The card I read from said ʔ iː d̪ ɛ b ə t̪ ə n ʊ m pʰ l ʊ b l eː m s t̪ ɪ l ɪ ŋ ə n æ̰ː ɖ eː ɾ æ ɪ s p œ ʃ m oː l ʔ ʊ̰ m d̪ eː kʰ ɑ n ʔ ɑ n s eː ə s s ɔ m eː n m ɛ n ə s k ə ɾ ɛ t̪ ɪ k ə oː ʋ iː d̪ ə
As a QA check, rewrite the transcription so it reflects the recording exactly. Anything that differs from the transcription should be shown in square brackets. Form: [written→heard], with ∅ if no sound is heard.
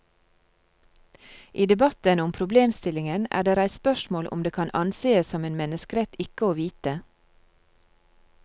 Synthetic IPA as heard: ʔ iː d̪ ɛ b [ə→ɑ] t̪ ə n ʊ m pʰ [l→ɾ] ʊ b l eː m s t̪ ɪ l ɪ ŋ ə n æ̰ː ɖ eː ɾ æ ɪ s p œ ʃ m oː l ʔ ʊ̰ m d̪ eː kʰ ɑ n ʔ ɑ n s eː ə s s ɔ m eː n m ɛ n ə s k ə ɾ ɛ t̪ ɪ k ə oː ʋ iː [d̪→t̪] ə